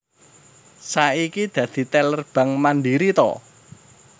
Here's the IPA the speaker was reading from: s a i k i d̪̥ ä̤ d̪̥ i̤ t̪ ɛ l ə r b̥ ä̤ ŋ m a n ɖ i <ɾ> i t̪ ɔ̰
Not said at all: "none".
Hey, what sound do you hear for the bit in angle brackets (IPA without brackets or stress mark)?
ɾ